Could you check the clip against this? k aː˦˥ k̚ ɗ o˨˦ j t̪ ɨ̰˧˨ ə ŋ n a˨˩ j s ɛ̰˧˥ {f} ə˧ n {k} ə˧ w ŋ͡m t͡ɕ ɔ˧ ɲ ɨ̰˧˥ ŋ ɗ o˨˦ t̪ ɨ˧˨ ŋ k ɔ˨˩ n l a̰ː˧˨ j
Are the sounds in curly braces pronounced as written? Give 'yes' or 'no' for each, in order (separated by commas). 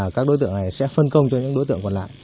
yes, yes